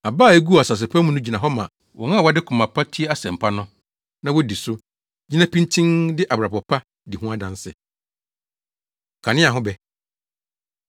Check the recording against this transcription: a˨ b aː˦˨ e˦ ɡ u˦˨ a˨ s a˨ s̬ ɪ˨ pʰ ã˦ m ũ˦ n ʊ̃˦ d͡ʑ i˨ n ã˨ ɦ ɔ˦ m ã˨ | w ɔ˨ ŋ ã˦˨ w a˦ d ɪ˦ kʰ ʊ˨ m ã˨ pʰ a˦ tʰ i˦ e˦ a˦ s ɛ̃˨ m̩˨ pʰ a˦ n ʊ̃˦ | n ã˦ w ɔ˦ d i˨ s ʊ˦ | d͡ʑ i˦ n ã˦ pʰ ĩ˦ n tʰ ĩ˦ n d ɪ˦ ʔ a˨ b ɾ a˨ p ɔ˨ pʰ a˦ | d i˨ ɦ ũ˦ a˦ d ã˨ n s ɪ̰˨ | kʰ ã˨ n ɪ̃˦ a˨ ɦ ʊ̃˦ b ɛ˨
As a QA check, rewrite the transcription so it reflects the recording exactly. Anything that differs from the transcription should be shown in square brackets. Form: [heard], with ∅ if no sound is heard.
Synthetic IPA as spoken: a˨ b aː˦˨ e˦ ɡ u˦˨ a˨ s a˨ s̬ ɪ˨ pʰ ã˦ m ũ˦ n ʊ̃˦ d͡ʑ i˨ n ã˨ ɦ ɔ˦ m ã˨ | w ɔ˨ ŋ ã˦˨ w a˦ d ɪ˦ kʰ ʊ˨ m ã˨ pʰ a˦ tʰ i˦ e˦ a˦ s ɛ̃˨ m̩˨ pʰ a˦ n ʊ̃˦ | n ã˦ w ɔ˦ d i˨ s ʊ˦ | d͡ʑ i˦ n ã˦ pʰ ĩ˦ n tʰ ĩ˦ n d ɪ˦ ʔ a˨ b ɾ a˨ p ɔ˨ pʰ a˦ | d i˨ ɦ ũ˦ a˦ d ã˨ n s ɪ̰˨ | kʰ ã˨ n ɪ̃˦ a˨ ɦ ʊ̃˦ b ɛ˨

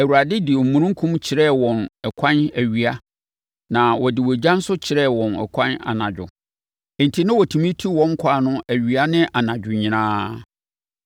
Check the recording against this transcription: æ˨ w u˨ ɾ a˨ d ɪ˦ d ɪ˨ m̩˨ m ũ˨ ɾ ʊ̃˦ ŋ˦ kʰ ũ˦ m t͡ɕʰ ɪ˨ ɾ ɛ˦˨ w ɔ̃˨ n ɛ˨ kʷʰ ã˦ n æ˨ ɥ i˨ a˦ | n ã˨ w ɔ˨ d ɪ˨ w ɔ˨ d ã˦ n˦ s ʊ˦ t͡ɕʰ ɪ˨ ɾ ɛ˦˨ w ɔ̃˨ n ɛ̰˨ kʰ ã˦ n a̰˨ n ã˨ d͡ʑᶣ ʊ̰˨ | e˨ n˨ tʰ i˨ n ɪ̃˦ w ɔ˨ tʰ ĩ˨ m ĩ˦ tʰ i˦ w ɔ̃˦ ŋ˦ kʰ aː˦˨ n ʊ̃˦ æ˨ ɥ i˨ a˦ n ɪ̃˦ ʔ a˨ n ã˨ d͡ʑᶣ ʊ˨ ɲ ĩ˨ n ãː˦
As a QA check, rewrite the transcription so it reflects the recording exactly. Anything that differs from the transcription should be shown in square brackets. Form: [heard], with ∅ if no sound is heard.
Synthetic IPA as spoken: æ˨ w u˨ ɾ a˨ d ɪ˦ d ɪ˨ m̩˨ m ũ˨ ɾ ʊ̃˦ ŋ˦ kʰ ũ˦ m t͡ɕʰ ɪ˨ ɾ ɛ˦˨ w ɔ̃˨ n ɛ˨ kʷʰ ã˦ n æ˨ ɥ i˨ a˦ | n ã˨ w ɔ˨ d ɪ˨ w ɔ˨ [d͡ʑ] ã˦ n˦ s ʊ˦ t͡ɕʰ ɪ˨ ɾ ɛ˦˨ w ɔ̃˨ n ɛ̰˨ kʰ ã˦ n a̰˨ n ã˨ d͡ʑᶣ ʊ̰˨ | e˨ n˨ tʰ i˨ n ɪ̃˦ w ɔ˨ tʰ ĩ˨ m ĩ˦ tʰ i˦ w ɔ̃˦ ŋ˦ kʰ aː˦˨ n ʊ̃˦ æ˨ ɥ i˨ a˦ n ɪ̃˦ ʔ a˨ n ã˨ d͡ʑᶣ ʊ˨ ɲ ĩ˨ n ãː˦

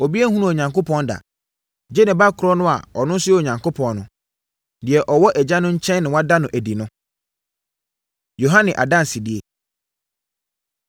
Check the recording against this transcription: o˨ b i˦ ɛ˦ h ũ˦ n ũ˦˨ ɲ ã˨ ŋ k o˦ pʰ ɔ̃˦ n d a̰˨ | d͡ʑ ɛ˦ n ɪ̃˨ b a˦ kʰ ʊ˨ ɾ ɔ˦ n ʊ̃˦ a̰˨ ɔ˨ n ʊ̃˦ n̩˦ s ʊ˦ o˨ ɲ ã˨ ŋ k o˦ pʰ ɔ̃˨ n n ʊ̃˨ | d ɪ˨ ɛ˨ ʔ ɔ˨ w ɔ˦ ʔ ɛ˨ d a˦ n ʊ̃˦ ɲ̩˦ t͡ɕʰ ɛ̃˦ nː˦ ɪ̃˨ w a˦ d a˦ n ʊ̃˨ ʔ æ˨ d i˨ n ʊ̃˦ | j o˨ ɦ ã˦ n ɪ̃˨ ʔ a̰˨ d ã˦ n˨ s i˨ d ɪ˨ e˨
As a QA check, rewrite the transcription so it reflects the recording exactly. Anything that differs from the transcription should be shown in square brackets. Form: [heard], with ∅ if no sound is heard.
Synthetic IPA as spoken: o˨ b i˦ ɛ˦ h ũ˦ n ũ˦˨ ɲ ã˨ ŋ k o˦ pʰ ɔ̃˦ n d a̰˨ | d͡ʑ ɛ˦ n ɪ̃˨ b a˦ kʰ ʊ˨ ɾ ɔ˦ n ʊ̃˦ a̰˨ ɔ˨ n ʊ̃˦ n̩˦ s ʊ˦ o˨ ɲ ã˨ ŋ k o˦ pʰ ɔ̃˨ n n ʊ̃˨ | d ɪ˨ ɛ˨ ʔ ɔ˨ w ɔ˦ ʔ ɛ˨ [d͡ʑ] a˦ n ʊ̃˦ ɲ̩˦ t͡ɕʰ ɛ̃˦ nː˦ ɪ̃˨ w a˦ d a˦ n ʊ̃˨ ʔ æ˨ d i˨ n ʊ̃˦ | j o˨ ɦ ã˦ n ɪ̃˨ ʔ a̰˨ d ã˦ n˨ s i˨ d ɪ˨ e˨

